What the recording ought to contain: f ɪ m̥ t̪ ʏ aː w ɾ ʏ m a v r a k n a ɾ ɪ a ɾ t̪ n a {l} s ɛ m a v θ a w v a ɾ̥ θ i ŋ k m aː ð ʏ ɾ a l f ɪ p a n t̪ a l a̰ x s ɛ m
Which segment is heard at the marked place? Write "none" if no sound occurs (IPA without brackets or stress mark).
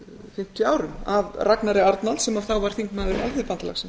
l